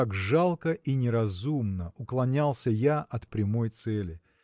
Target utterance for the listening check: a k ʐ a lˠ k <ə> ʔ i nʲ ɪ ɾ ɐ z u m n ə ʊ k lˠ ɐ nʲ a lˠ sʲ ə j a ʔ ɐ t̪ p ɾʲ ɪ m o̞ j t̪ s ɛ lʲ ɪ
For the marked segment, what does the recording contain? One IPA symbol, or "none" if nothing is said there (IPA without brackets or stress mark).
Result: ə